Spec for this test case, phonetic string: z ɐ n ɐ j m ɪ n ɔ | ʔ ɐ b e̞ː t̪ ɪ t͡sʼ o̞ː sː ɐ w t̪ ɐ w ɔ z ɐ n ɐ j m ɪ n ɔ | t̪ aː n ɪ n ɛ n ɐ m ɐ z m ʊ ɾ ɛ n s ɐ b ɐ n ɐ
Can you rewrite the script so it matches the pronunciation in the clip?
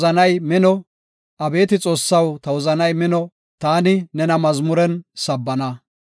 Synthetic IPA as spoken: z ɐ n ɐ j m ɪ n ɔ | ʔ ɐ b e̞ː t̪ ɪ t͡sʼ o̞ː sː ɐ w t̪ ɐ w ɔ z ɐ n ɐ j m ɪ n ɔ | t̪ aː n ɪ n ɛ n ɐ m ɐ z m ʊ ɾ ɛ n s ɐ bː ɐ n ɐ